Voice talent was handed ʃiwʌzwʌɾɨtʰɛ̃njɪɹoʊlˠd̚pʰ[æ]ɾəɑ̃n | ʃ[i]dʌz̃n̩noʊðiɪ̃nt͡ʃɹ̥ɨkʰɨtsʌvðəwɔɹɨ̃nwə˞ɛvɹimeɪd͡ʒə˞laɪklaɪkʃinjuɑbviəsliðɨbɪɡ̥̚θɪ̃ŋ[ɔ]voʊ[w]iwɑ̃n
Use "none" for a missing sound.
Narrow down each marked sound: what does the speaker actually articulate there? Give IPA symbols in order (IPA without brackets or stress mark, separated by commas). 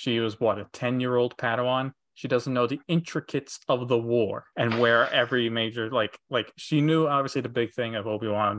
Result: æ, i, ʌ, b